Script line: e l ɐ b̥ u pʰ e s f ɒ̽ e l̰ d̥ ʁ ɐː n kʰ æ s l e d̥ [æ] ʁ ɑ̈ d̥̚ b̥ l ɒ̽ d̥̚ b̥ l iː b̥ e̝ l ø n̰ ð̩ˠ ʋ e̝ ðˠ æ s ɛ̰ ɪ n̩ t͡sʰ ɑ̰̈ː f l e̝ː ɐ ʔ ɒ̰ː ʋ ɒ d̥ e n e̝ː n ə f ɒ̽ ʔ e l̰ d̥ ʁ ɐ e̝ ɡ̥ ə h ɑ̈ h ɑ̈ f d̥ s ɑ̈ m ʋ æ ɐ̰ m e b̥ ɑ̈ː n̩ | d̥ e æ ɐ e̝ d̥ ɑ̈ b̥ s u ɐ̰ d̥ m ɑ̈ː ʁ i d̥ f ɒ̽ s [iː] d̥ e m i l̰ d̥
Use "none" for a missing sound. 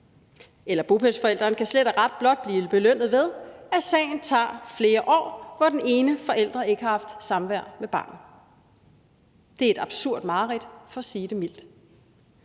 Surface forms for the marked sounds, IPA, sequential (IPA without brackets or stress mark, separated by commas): æ, iː